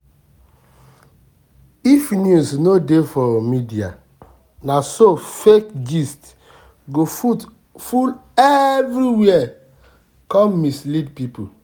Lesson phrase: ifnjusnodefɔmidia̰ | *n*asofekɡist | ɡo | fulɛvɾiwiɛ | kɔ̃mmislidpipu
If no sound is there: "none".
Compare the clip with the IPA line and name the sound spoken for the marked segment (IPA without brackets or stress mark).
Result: n